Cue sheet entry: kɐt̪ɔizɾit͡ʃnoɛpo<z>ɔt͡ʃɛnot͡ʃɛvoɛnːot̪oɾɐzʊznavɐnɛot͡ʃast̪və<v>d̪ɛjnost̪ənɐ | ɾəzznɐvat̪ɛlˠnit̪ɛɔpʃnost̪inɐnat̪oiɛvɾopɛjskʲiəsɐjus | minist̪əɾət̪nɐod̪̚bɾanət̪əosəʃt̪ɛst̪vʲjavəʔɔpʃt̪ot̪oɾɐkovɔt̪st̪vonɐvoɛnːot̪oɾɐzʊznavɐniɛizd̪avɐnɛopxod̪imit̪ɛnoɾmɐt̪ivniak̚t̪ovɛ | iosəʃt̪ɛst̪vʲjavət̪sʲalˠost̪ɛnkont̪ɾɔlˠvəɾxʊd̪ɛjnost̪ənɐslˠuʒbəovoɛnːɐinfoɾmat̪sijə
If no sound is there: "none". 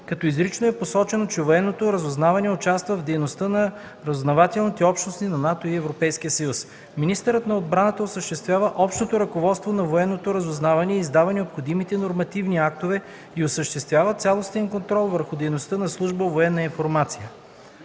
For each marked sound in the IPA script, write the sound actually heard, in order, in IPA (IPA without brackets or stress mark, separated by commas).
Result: s, v